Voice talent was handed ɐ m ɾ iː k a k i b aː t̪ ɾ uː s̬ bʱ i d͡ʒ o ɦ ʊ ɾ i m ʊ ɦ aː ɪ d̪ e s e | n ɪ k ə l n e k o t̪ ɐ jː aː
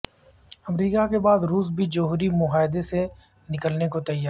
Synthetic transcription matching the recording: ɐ m ɾ iː k a k e b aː d̪ ɾ uː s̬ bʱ i d͡ʒ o ɦ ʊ ɾ i m ʊ ɦ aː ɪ d̪ e s e | n ɪ k ə l n e k o t̪ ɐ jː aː